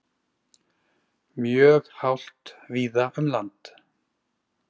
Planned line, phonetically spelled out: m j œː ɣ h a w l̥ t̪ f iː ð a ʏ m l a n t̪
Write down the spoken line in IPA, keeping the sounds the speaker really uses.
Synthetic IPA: m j œː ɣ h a w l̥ t̪ v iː ð a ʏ m l a n t̪